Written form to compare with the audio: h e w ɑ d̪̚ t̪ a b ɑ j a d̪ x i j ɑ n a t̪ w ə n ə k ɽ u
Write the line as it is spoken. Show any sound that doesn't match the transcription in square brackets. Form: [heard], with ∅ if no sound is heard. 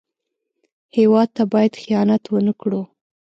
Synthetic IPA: h e w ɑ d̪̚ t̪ a b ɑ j a d̪ x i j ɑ n a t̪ w ə n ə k ɽ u